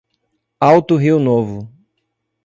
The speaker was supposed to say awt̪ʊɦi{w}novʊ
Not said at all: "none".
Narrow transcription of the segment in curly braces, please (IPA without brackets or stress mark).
w